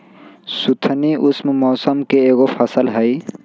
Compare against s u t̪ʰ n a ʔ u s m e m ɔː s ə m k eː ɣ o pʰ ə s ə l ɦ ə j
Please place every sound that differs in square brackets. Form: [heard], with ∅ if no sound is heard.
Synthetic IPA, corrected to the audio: s u t̪ʰ n [i] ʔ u s m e m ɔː s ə m k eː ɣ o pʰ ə s ə l ɦ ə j